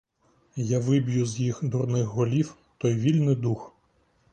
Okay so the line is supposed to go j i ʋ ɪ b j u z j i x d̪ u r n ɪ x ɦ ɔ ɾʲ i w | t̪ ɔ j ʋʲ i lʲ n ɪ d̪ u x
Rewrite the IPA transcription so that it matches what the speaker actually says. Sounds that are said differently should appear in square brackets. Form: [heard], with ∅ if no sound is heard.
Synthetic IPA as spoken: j [a] ʋ ɪ b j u z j i x d̪ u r n ɪ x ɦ ɔ [lʲ] i w | t̪ ɔ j ʋʲ i lʲ n ɪ d̪ u x